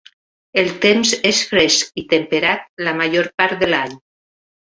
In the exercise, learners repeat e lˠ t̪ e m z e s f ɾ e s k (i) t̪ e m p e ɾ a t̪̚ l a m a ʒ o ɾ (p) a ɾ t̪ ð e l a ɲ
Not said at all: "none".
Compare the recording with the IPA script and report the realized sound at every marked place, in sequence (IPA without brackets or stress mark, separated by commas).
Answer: i, p